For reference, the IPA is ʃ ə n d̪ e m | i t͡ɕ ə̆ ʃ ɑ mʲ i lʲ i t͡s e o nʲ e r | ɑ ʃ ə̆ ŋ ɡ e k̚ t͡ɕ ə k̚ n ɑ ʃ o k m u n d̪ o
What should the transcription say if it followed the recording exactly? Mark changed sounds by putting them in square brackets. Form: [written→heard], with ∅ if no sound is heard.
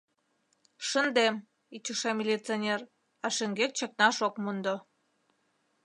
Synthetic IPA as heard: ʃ ə n d̪ e m | i t͡ɕ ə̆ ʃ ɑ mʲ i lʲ i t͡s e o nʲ e r | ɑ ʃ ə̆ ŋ ɡ e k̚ t͡ɕ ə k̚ n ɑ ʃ o k m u n d̪ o